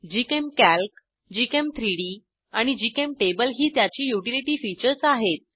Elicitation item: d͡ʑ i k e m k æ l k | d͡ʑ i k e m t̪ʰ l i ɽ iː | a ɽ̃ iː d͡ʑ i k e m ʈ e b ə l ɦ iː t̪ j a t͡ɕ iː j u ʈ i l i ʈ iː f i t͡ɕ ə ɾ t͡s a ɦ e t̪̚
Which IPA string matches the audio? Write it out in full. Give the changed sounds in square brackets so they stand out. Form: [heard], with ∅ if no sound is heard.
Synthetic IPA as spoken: d͡ʑ i k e m k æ l k | d͡ʑ i k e m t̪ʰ [ɾ] i ɽ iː | a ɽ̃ [i] d͡ʑ i k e m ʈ e b ə l ɦ iː t̪ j a t͡ɕ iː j u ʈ i l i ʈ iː f i t͡ɕ ə ɾ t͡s a ɦ e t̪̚